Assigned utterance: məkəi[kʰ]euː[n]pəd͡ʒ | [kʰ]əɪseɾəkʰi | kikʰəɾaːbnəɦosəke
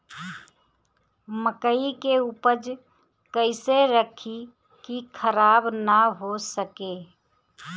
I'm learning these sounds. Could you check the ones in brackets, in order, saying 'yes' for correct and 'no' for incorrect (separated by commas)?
no, no, no